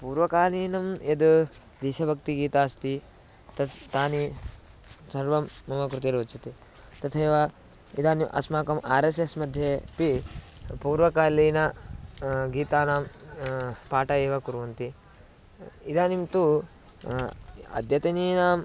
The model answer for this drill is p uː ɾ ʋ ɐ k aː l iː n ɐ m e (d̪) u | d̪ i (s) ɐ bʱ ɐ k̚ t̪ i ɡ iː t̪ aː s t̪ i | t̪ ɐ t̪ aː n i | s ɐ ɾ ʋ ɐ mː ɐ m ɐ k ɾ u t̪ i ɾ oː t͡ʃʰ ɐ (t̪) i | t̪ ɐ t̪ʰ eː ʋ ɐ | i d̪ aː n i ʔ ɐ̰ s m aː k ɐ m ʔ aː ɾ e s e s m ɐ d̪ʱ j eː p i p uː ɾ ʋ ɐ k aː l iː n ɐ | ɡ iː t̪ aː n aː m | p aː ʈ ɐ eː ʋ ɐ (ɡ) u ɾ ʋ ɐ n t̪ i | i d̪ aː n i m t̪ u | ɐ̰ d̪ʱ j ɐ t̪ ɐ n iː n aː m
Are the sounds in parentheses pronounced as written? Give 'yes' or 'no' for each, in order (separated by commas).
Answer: yes, no, yes, no